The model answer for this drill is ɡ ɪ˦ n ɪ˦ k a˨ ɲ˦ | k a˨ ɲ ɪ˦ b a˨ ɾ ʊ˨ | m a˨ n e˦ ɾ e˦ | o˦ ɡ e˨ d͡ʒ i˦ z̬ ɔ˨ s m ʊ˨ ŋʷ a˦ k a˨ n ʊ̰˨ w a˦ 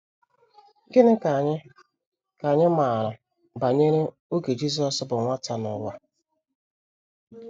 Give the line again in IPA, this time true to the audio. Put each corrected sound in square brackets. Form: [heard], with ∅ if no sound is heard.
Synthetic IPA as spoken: ɡ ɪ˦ n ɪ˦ k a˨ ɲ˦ | k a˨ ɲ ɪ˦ [m] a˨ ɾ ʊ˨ | [b] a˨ [ɲ] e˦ ɾ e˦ | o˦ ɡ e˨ d͡ʒ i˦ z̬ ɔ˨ s [b] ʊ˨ ŋʷ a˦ [t] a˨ n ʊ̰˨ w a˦